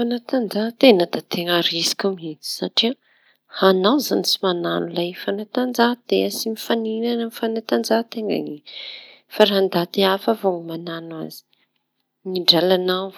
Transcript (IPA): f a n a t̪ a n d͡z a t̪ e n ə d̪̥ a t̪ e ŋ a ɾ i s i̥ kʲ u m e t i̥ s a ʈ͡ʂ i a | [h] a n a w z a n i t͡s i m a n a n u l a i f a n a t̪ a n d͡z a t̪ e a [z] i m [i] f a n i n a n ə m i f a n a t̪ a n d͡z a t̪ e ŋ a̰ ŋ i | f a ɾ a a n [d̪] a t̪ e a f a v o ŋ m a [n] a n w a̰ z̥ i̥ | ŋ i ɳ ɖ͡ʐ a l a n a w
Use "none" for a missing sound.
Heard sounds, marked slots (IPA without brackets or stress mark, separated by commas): h, s, i, d̪, n